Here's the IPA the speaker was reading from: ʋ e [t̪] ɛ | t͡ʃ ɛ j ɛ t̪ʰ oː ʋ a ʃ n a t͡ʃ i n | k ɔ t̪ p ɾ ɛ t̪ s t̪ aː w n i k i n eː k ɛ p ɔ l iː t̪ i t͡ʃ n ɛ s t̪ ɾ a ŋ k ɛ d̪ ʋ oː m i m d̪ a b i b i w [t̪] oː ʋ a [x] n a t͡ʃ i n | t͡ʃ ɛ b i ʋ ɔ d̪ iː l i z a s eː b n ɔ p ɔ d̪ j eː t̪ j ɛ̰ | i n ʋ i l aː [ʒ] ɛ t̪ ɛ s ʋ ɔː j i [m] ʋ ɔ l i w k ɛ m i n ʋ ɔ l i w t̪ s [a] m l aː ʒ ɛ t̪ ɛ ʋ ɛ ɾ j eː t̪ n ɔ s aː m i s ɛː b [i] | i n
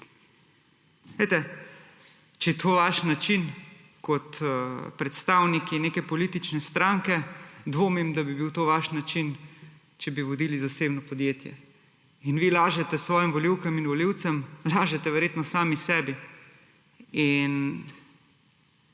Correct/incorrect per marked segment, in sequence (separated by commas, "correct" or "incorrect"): correct, correct, incorrect, correct, correct, incorrect, correct